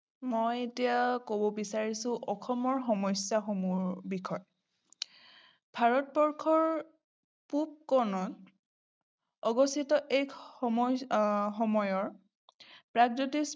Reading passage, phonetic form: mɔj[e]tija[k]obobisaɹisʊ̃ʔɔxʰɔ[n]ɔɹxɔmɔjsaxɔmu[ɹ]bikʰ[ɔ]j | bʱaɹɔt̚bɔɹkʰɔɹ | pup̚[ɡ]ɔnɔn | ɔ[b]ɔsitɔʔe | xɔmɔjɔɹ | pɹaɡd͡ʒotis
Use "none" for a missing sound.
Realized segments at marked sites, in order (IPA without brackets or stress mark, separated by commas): e, k, m, ɹ, ɔ, k, ɡ